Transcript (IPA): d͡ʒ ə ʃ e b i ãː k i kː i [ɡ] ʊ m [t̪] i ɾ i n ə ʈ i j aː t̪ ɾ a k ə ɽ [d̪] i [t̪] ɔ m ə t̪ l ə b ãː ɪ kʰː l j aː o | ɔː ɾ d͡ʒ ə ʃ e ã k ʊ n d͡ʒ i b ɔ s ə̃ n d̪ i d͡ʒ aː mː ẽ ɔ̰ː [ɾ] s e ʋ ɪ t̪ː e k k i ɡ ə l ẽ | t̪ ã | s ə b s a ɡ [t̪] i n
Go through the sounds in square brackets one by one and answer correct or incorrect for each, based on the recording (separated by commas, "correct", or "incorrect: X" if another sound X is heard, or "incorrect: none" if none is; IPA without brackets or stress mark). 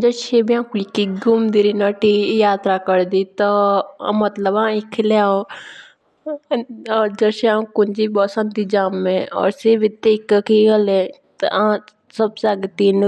correct, incorrect: d̪, correct, correct, correct, correct